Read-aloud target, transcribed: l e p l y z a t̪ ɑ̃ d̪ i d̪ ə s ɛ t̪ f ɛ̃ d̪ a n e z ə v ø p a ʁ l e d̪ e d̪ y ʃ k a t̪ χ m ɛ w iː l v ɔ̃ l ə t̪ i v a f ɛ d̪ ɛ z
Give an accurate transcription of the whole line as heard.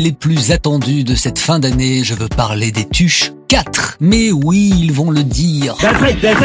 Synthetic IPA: l e p l y z a t̪ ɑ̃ d̪ y d̪ ə s ɛ t̪ f ɛ̃ d̪ a n e ʒ ə v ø p a ʁ l e d̪ e t̪ y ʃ k a t̪ χ m ɛ w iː l v ɔ̃ l ə d̪ i ʁ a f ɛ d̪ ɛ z